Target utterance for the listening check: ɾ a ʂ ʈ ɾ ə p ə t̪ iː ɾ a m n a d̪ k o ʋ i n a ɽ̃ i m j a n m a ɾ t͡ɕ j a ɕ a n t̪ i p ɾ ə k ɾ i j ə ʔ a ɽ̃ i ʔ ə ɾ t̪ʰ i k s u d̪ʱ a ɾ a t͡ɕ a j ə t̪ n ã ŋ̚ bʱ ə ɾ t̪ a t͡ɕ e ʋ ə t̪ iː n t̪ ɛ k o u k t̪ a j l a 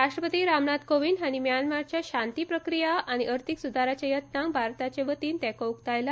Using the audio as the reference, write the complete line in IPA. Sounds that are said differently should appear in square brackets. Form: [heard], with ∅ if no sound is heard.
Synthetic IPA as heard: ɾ a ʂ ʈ ɾ ə p ə t̪ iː ɾ a m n a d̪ k o ʋ i n a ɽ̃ i m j a n m a ɾ t͡ɕ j a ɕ a n t̪ i p ɾ ə k ɾ i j [a] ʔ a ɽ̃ i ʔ ə ɾ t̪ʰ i k s u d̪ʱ a ɾ a t͡ɕ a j ə t̪ n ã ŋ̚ bʱ [a] ɾ t̪ a t͡ɕ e ʋ ə t̪ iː n t̪ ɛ k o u k t̪ a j l a

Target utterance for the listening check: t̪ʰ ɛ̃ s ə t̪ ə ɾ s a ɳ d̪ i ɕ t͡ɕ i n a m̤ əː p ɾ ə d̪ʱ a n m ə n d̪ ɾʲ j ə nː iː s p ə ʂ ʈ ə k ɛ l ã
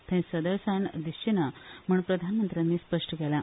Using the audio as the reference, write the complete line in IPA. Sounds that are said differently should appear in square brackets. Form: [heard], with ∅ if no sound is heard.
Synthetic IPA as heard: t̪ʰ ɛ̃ s ə [d̪] ə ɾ s a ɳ d̪ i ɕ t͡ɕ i n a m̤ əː p ɾ ə d̪ʱ a n m ə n [t̪] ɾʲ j [a] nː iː s p ə ʂ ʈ ə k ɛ l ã

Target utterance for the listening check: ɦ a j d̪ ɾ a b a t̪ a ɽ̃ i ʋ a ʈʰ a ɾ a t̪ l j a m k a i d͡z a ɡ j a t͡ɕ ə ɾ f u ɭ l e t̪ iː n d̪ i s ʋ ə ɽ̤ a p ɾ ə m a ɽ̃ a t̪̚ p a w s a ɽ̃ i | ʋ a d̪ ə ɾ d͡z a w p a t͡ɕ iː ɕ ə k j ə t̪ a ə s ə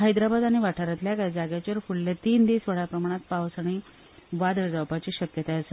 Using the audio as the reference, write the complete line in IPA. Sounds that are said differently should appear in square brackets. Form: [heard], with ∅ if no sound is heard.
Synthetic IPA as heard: ɦ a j d̪ ɾ a b a [d̪] a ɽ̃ i ʋ a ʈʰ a ɾ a t̪ l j a [∅] k a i d͡z a ɡ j a t͡ɕ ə ɾ f u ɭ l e t̪ iː n d̪ i s ʋ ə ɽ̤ a p ɾ ə m a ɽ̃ a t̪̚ p a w s a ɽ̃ i | ʋ a d̪ ə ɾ d͡z a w p a t͡ɕ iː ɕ ə k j ə t̪ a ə s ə

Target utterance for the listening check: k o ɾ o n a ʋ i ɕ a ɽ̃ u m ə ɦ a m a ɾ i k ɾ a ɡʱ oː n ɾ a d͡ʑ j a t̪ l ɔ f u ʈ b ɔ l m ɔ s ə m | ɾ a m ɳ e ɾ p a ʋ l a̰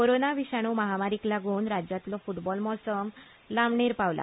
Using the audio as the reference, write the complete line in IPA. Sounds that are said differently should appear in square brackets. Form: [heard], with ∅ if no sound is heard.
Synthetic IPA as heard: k o ɾ o n a ʋ i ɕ a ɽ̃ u m ə ɦ a m a ɾ i k [l] a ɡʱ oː n ɾ a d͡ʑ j a t̪ l ɔ f u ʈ b ɔ l m ɔ s ə m | [l] a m ɳ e ɾ p a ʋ l a̰

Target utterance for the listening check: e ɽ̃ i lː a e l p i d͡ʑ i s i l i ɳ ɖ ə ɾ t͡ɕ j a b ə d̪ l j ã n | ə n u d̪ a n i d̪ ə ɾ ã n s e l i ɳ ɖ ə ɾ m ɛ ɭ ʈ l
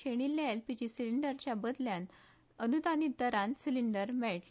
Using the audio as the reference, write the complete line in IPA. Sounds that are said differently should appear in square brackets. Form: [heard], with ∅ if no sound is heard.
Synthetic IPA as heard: e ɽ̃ i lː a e l p i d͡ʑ i s i l i ɳ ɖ ə ɾ t͡ɕ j a b ə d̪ l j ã n | ə n u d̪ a n i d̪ ə ɾ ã n s [i] l i ɳ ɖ ə ɾ m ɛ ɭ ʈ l

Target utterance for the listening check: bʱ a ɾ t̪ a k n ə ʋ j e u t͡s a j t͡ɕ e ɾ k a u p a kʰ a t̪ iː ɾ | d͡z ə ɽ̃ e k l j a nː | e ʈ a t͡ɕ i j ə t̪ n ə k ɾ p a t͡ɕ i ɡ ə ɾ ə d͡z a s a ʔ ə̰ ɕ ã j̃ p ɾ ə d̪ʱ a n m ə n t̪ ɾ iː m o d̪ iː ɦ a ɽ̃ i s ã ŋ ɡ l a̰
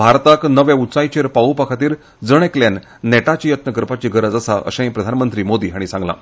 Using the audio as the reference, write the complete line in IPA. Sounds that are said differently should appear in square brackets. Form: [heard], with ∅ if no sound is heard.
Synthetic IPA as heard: bʱ a ɾ t̪ a k n ə ʋ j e u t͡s a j t͡ɕ e ɾ [p] a u p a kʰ a t̪ iː ɾ | d͡z ə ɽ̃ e k l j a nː | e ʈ a t͡ɕ i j ə t̪ n ə k ɾ p a t͡ɕ i ɡ ə ɾ ə d͡z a s a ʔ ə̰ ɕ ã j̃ p ɾ ə d̪ʱ a n m ə n t̪ ɾ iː m o d̪ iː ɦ a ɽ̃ i s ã ŋ ɡ l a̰

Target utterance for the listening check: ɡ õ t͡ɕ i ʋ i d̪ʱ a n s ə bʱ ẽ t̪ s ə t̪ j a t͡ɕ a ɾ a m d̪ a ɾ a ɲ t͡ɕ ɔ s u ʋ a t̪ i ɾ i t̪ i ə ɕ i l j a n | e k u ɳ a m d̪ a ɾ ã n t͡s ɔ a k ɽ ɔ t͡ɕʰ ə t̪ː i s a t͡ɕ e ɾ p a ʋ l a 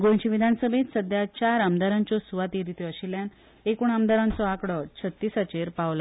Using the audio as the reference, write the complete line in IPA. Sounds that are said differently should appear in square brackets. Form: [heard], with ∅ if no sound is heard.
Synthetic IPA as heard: ɡ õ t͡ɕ i ʋ i d̪ʱ a n s ə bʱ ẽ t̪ s ə [d̪] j a t͡ɕ a ɾ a m d̪ a ɾ a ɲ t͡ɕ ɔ s u ʋ a t̪ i ɾ i t̪ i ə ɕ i l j a n | e k u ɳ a m d̪ a ɾ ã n t͡s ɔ a k ɽ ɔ t͡ɕʰ ə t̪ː i s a t͡ɕ e ɾ p a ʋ l a

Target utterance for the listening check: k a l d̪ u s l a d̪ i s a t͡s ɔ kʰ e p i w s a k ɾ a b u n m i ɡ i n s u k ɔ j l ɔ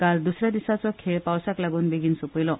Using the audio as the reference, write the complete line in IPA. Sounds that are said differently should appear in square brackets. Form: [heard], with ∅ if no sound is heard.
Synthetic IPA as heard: k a l d̪ u s [ɾ] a d̪ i s a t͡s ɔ kʰ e p [a] w s a k [l] a [ɡ] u n [b] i ɡ i n s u [p] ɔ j l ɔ

